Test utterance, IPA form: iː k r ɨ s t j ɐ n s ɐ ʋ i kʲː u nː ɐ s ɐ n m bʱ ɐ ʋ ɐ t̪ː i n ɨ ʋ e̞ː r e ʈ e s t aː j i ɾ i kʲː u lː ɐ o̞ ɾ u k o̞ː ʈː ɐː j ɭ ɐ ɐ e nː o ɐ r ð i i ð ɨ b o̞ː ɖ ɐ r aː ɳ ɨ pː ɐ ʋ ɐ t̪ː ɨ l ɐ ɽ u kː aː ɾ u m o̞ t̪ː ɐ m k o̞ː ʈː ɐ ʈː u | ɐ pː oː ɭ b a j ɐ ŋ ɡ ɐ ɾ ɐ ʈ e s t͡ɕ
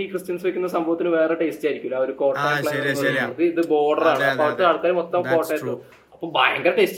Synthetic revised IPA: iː k r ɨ s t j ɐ n s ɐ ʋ i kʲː u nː ɐ s ɐ m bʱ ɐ ʋ ɐ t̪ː i n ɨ ʋ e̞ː r e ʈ e s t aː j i ɾ i kʲː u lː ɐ o̞ ɾ u k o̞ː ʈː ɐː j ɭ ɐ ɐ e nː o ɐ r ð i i ð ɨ b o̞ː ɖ ɐ r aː ɳ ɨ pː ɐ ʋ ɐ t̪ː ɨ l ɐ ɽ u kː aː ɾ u m o̞ t̪ː ɐ m k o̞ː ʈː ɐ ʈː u | ɐ pː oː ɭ b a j ɐ ŋ ɡ ɐ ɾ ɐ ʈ e s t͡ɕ